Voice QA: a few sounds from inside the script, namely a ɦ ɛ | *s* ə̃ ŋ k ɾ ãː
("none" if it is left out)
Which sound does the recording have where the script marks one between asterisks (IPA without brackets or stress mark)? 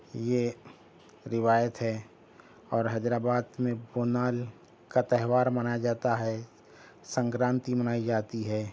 s